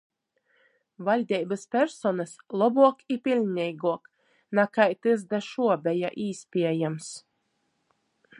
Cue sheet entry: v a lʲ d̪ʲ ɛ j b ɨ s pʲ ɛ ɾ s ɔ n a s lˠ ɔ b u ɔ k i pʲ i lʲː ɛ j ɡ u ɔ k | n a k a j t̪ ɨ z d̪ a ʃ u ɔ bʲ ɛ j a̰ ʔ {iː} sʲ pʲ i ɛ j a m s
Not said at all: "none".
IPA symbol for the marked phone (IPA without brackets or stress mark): iː